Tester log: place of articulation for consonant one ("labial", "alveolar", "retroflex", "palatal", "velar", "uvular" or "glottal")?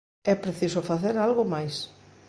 labial